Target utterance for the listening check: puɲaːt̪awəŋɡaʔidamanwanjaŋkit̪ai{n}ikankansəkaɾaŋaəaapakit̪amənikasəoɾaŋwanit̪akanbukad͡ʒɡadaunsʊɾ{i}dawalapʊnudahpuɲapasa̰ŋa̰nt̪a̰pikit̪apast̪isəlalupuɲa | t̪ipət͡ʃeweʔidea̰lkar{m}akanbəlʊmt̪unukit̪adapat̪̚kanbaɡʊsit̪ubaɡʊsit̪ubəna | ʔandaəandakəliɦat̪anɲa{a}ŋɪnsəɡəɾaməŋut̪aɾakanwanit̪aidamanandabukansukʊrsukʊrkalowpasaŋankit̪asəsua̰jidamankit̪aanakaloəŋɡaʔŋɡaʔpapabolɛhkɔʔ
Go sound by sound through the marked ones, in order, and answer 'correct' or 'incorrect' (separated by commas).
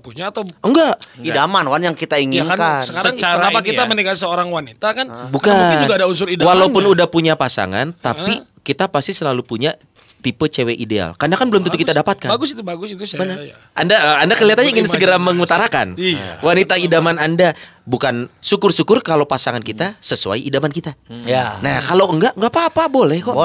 incorrect, correct, incorrect, incorrect